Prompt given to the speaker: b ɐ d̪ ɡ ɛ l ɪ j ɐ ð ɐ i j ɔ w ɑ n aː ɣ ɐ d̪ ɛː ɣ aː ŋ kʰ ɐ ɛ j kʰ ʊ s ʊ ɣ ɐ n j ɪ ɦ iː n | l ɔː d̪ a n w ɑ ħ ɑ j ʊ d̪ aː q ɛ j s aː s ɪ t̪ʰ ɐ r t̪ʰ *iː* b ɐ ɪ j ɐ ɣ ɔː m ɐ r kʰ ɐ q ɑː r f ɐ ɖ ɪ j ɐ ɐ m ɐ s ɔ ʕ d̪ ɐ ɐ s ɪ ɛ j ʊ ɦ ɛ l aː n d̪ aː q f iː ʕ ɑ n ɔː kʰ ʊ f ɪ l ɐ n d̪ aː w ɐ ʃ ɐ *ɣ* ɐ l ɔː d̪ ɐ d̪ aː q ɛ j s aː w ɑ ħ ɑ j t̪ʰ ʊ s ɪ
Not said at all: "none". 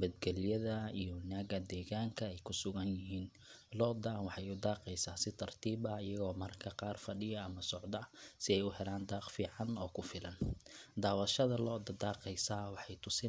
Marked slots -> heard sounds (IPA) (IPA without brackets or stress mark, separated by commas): iː, ð